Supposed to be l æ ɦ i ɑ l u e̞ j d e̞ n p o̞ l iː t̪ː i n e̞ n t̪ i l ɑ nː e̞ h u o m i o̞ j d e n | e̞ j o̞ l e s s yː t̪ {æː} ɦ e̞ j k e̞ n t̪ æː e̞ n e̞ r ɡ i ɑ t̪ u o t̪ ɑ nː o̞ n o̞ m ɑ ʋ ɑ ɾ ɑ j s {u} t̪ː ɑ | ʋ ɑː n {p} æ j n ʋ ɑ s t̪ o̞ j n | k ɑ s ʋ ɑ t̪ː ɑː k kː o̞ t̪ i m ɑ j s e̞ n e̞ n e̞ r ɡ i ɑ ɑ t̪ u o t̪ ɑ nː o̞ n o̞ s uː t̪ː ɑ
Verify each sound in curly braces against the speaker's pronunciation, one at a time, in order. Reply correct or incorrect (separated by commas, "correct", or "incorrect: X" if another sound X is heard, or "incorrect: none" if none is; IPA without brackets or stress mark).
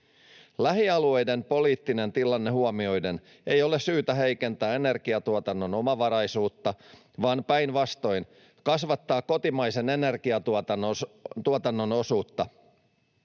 incorrect: æ, incorrect: uː, correct